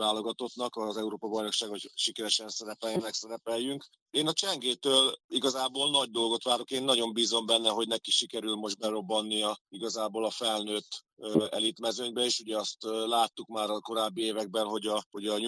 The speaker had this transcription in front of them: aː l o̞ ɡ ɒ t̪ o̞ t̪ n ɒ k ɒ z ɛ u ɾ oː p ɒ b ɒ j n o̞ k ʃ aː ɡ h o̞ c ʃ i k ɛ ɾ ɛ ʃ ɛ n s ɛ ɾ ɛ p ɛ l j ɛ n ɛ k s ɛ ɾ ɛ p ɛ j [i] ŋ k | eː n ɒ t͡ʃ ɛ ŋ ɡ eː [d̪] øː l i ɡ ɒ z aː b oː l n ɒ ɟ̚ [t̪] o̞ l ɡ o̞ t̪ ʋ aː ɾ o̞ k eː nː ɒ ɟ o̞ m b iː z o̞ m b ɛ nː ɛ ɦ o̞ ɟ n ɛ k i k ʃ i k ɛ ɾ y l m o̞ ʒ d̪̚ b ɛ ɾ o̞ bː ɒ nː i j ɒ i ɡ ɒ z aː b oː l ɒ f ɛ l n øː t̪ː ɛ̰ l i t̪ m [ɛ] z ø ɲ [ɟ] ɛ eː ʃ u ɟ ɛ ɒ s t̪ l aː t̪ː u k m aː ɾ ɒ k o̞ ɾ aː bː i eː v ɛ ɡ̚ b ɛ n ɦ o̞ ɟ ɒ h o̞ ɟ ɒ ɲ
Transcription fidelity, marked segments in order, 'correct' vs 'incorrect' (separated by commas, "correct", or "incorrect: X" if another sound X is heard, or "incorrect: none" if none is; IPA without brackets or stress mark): incorrect: y, incorrect: t̪, incorrect: d̪, correct, incorrect: b